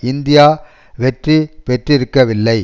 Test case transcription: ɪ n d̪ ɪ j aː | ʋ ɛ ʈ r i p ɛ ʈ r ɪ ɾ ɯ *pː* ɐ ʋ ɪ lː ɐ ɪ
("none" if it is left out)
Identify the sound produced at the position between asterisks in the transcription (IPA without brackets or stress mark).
kː